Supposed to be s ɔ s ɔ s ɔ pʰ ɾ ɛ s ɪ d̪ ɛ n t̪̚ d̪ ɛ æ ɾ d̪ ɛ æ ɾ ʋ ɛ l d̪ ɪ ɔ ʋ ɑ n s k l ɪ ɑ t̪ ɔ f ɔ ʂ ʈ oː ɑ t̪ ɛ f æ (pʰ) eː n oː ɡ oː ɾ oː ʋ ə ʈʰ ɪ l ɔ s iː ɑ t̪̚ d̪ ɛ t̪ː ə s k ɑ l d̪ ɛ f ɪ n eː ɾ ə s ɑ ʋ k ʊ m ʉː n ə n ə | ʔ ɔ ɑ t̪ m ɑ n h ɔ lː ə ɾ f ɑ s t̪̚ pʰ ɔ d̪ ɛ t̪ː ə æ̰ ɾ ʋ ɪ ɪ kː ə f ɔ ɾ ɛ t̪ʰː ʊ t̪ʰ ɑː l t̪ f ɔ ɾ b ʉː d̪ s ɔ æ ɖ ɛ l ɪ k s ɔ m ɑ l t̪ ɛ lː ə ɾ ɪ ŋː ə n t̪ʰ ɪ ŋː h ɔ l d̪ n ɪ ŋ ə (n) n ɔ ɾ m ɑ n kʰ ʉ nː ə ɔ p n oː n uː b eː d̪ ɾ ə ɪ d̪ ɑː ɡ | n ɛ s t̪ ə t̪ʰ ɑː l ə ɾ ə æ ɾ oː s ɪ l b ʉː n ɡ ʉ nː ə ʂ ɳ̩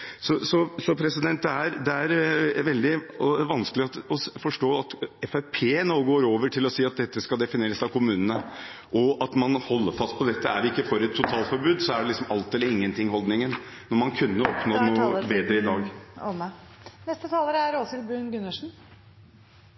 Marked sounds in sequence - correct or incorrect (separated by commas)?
correct, correct